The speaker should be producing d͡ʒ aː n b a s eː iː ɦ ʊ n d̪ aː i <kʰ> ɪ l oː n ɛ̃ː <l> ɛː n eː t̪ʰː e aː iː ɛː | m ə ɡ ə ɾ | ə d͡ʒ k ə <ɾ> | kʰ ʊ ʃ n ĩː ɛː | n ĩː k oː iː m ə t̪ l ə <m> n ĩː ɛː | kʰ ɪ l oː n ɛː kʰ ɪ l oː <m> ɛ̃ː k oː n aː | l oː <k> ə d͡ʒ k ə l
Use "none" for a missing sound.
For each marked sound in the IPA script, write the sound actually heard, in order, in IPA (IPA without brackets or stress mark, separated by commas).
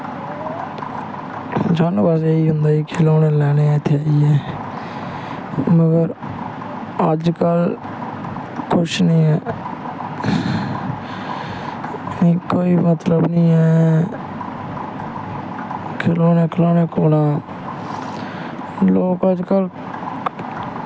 kʰ, l, l, b, n, k